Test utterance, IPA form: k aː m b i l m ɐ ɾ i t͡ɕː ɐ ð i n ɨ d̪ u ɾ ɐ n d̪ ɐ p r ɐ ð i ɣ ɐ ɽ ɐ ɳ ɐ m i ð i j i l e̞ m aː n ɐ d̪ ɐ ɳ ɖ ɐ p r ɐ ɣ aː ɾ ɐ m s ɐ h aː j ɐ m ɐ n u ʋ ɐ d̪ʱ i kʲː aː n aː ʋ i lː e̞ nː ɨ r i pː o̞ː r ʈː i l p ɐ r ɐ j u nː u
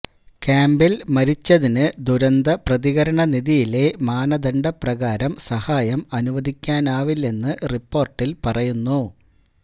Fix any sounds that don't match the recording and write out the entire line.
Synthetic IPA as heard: k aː m b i l m ɐ ɾ i t͡ɕː ɐ ð i n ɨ d̪ u ɾ ɐ n d̪ ɐ p r ɐ ð i ɣ ɐ ɾ ɐ ɳ ɐ n i ð i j i l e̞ m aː n ɐ d̪ ɐ ɳ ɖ ɐ p r ɐ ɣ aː ɾ ɐ m s ɐ h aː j ɐ m ɐ n u ʋ ɐ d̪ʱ i kʲː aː n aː ʋ i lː e̞ nː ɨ r i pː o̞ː r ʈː i l p ɐ r ɐ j u nː u